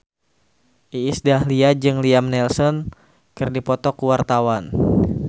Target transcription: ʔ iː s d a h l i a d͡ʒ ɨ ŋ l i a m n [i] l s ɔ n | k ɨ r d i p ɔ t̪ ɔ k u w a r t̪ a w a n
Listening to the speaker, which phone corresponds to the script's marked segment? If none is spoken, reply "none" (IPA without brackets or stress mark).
ɛ